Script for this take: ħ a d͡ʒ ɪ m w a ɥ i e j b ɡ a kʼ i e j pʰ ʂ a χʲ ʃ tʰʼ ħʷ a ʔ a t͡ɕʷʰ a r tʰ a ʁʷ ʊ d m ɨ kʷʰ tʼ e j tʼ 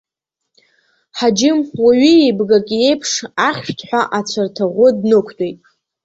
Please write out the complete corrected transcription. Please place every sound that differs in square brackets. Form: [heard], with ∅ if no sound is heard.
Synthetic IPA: ħ a d͡ʒ ɪ m w a ɥ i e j b ɡ a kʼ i e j pʰ ʂ a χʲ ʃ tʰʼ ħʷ a ʔ a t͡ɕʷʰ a r tʰ a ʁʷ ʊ d [n] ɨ kʷʰ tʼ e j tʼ